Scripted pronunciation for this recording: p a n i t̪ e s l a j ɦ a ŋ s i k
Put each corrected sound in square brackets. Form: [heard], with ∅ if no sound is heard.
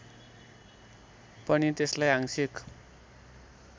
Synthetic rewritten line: p [ʌ] n i t̪ e s l a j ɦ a ŋ s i k

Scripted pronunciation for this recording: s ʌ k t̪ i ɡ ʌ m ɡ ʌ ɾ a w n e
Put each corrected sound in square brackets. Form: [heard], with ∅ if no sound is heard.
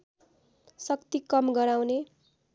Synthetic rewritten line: s ʌ k t̪ i [k] ʌ m ɡ ʌ ɾ a w n e

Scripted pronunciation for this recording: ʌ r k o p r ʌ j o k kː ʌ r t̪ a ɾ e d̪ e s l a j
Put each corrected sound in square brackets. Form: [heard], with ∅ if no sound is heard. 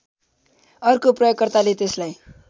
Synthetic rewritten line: ʌ r k o p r ʌ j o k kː ʌ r t̪ a [l] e [t̪] e s l a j

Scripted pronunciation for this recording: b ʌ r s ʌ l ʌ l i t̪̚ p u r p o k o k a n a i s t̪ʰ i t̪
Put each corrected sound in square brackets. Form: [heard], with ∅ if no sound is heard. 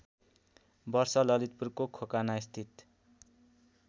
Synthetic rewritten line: b ʌ r s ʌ l ʌ l i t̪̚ p u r [k] o [kʰ] o k a n a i s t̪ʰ i t̪

